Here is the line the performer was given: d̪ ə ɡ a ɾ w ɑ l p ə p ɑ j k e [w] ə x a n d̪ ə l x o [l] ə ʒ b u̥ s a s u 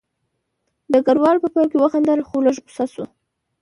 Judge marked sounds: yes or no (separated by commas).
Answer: yes, yes